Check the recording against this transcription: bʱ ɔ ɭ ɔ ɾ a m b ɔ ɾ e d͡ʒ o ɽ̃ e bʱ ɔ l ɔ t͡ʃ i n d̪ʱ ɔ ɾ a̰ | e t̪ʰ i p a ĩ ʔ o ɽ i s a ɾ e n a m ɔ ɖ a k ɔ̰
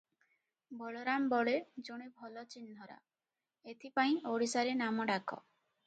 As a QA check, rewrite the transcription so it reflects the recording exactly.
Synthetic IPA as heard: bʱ ɔ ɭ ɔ ɾ a m b ɔ ɭ e d͡ʒ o ɽ̃ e bʱ ɔ l ɔ t͡ʃ i n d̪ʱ ɔ ɾ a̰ | e t̪ʰ i p a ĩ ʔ o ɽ i s a ɾ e n a m ɔ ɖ a k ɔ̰